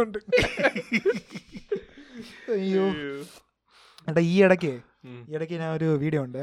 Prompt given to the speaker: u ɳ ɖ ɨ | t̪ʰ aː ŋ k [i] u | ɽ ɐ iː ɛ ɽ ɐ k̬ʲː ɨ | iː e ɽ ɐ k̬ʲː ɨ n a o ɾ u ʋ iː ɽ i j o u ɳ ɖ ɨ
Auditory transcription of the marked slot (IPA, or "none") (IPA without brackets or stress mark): j